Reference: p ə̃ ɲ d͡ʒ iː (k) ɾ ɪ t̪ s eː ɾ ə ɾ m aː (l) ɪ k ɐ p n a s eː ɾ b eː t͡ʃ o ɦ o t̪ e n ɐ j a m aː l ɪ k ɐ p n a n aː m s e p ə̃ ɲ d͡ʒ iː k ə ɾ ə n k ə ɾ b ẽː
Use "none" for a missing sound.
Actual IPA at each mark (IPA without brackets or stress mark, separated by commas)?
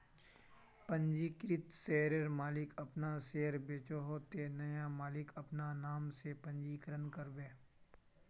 k, l